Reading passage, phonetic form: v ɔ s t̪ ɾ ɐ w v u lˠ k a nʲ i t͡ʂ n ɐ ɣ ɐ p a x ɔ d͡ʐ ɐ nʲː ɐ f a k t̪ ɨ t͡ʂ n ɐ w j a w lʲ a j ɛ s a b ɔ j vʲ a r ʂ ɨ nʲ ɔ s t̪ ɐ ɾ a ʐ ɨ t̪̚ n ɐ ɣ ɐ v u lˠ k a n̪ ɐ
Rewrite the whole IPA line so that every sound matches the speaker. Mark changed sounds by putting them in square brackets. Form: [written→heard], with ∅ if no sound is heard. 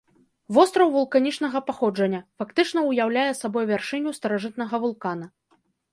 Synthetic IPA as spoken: v ɔ s t̪ ɾ ɐ w v u lˠ k a nʲ i t͡ʂ n ɐ ɣ ɐ p a x ɔ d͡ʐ ɐ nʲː ɐ f a k t̪ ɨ t͡ʂ n ɐ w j a w lʲ a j ɛ s a b ɔ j vʲ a r ʂ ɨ nʲ [ɔ→u] s t̪ ɐ ɾ a ʐ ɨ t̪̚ n ɐ ɣ ɐ v u lˠ k a n̪ ɐ